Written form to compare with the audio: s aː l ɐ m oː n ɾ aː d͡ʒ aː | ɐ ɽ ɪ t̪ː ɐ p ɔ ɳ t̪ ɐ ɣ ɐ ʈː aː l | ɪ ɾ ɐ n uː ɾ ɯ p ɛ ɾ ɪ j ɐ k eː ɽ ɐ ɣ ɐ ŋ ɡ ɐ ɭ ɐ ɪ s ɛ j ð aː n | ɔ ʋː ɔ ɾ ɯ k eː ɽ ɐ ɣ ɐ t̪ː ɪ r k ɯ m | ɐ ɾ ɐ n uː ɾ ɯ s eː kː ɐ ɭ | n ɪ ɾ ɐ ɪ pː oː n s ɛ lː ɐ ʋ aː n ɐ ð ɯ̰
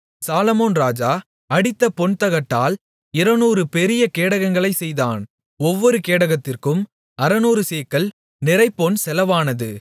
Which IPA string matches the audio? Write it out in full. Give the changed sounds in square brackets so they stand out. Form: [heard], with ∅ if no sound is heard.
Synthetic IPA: s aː l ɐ m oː n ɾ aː d͡ʒ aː | ɐ ɽ ɪ t̪ː ɐ p ɔ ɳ t̪ ɐ ɣ ɐ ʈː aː l | ɪ ɾ ɐ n uː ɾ ɯ p ɛ ɾ ɪ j ɐ k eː ɽ ɐ ɣ ɐ ŋ ɡ ɐ ɭ ɐ ɪ s ɛ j ð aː n | ɔ ʋː ɔ ɾ ɯ k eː ɽ ɐ ɣ ɐ t̪ː ɪ r k ɯ m | ɐ ɾ ɐ n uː ɾ ɯ s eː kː ɐ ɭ | n ɪ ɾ ɐ ɪ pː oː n s ɛ [l] ɐ ʋ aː n ɐ ð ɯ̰